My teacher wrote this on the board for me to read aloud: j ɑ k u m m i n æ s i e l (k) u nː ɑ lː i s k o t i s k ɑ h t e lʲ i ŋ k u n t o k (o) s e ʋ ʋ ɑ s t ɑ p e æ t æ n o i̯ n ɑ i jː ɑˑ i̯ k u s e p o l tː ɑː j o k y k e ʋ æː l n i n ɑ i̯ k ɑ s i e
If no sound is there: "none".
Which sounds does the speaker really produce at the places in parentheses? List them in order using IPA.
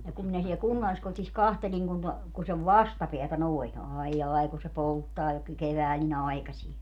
k, u

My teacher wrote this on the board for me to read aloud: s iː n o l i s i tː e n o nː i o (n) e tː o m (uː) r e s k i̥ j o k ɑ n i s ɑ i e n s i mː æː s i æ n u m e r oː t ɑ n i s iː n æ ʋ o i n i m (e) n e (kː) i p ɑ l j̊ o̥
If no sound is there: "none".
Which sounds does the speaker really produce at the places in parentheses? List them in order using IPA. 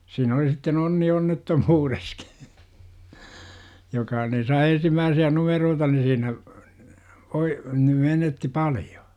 nː, uː, e, tː

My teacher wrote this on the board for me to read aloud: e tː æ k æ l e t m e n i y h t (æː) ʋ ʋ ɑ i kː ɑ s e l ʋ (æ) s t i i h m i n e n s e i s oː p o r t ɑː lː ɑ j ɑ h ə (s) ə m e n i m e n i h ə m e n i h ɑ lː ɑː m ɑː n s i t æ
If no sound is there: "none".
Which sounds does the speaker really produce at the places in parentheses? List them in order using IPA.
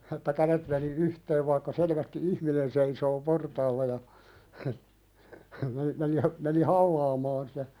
eː, æ, h

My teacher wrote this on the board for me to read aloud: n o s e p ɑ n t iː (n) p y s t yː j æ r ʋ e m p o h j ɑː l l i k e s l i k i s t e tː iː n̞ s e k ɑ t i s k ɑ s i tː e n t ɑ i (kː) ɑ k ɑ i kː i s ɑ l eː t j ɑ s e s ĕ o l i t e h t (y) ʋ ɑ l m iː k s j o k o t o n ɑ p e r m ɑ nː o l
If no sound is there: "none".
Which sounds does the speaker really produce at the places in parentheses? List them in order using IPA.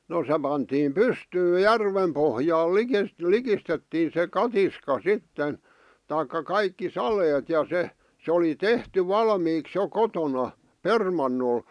m, kː, y

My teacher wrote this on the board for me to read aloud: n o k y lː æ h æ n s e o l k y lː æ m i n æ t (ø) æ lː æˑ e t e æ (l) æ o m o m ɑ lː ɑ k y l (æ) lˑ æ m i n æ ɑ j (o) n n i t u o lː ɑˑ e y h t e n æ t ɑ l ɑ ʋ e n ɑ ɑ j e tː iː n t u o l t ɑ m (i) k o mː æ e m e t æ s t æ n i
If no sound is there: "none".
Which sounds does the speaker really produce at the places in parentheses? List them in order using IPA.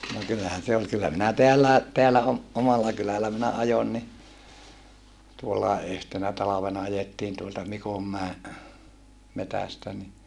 e, lː, æ, o, i

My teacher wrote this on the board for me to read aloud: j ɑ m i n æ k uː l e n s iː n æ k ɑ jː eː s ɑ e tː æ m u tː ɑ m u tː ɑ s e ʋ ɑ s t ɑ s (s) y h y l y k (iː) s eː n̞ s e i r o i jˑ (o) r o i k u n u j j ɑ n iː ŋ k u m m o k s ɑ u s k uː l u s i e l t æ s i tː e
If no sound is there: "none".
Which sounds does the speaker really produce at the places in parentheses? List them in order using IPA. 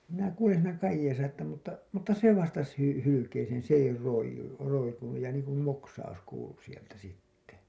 h, eː, u

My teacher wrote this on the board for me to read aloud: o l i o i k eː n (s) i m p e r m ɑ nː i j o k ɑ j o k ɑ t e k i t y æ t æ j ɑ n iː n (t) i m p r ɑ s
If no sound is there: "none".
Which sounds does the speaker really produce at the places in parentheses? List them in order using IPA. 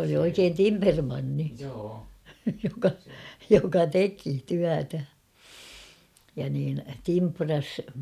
t, t

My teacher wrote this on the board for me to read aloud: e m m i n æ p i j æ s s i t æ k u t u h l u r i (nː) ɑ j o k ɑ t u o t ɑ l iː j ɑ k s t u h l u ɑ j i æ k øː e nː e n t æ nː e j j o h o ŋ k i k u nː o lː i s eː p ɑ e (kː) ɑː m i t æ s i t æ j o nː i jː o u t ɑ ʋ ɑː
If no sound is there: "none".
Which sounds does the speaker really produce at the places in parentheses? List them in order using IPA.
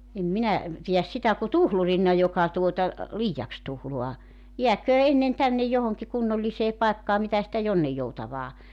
nː, kː

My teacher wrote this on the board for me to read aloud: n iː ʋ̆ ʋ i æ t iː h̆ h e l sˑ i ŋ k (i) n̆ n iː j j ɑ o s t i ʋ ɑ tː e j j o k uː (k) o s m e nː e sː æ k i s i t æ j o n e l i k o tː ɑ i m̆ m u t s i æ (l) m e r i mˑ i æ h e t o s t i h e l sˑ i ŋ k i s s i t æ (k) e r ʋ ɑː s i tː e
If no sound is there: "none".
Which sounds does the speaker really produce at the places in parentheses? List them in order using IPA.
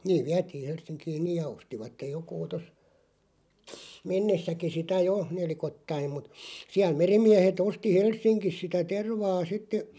iː, t, l, t

